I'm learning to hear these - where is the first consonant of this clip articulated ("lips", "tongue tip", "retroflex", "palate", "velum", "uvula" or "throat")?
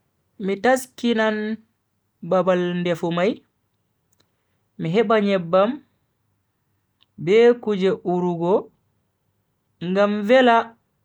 lips